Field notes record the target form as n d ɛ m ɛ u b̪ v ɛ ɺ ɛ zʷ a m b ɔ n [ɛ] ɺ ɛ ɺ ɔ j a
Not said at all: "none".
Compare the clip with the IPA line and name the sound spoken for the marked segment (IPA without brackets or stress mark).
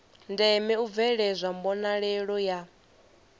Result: a